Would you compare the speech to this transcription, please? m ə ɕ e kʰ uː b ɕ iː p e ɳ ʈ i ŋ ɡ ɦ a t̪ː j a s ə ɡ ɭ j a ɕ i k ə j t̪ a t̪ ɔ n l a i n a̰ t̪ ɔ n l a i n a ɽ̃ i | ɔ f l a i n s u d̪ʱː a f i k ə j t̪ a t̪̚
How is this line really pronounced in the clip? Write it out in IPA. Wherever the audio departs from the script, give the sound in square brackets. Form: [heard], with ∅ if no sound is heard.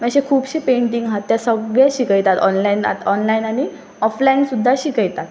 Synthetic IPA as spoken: m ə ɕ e kʰ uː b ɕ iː p e ɳ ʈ i ŋ ɡ ɦ a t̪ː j a s ə ɡ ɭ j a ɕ i k ə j t̪ a t̪ ɔ n l a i n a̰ t̪ ɔ n l a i n a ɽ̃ i | ɔ f l a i n s u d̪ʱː a [ɕ] i k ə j t̪ a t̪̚